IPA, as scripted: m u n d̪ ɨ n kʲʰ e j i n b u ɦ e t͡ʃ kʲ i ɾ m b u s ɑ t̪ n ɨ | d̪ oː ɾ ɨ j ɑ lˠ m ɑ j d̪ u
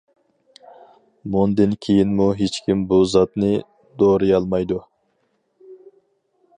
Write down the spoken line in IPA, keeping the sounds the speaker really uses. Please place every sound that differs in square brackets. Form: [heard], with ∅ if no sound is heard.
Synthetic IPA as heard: m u n d̪ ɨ n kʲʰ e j i n [m] u ɦ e t͡ʃ kʲ i [∅] m b u [z] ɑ t̪ n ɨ | d̪ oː ɾ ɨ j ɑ lˠ m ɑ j d̪ u